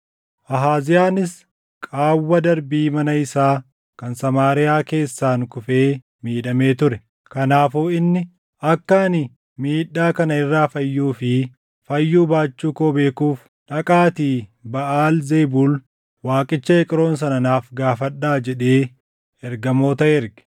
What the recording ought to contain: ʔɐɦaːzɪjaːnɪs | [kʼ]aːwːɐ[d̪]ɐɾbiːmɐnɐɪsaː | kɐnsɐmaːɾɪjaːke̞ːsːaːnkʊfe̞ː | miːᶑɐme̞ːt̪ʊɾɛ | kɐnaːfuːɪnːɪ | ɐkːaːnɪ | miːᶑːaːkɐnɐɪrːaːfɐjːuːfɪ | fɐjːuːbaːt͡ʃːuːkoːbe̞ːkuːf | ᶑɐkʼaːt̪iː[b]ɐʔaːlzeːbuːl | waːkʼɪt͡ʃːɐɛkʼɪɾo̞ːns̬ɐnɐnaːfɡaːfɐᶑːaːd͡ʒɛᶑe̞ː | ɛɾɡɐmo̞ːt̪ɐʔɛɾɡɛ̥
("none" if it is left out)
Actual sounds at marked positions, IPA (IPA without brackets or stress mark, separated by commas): kʼ, d̪, b